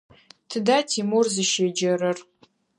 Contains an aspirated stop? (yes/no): yes